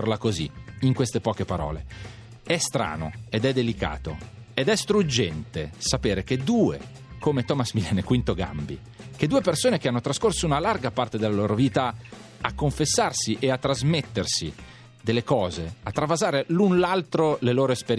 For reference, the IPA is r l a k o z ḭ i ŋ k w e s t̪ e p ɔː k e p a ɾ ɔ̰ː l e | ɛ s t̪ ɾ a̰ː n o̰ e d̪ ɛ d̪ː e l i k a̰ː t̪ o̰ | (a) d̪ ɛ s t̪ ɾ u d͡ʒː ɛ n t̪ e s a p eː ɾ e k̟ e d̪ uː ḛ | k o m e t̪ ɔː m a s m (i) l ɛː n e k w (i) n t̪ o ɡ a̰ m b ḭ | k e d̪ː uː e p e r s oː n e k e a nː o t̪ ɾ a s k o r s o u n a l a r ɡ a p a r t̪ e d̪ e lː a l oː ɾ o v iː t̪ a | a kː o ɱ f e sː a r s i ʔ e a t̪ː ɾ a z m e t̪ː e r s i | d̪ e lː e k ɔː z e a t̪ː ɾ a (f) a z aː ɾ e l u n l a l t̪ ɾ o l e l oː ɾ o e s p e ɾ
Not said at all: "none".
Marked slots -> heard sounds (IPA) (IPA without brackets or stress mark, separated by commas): e, i, i, v